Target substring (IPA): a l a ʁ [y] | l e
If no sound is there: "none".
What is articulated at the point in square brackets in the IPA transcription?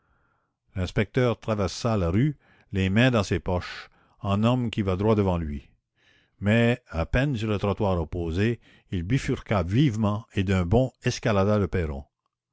y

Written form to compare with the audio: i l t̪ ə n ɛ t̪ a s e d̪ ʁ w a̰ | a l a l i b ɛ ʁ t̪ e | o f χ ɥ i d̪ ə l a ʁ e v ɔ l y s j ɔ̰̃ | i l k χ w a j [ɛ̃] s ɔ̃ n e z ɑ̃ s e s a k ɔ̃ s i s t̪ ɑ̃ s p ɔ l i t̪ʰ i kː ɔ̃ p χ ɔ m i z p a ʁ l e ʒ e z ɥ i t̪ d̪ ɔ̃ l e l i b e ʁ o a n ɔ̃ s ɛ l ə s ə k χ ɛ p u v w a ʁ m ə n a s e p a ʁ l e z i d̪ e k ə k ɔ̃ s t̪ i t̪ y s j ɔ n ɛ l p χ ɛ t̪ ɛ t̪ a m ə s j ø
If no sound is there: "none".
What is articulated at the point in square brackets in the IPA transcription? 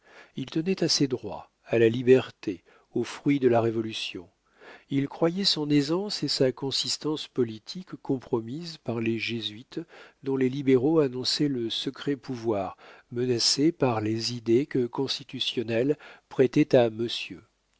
ɛ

